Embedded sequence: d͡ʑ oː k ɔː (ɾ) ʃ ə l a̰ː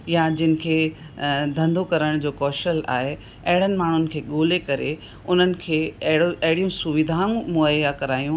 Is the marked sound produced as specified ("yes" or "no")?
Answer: no